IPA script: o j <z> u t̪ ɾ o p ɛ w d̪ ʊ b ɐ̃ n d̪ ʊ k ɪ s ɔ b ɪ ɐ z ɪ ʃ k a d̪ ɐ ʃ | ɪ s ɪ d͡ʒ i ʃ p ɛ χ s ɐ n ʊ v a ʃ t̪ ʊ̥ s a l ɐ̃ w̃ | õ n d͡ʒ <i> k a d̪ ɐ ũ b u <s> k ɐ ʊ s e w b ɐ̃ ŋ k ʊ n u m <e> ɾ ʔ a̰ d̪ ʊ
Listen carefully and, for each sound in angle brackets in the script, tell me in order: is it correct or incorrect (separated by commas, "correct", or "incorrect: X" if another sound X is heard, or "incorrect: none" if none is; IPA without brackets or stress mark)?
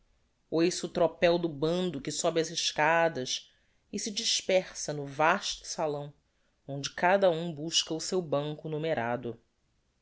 incorrect: s, incorrect: ɪ, incorrect: ʃ, correct